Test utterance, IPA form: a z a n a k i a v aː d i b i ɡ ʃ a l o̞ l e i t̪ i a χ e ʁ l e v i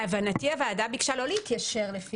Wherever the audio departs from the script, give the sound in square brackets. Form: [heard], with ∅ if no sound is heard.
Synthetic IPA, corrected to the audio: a [v] a n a [t] i a v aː d [a] b i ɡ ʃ a l o̞ l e i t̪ [j] a [ʃ] e ʁ l e [f] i